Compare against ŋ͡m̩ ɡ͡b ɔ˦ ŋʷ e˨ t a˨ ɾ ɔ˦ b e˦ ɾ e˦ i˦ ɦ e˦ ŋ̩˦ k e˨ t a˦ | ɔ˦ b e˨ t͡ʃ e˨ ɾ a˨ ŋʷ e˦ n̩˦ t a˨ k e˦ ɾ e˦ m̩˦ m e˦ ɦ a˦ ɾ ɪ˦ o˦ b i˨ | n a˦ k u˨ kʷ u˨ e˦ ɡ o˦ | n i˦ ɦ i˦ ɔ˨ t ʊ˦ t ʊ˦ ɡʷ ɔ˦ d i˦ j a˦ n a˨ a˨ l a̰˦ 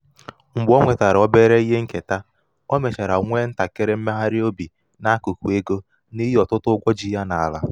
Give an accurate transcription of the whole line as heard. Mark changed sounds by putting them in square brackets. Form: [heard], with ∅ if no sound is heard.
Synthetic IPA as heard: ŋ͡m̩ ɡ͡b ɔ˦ ŋʷ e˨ t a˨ ɾ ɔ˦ b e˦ ɾ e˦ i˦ ɦ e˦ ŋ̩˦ k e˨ t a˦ | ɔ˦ [m] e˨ t͡ʃ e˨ ɾ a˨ ŋʷ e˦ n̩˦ t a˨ k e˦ ɾ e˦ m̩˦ m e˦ ɦ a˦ ɾ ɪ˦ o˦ b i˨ | n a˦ k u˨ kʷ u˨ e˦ ɡ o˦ | n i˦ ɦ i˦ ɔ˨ t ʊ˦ t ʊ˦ ɡʷ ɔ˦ [d͡ʒ] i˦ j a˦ n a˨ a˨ l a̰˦